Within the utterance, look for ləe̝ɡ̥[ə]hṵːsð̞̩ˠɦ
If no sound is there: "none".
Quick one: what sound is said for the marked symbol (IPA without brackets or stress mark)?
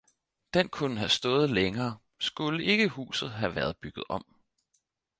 ə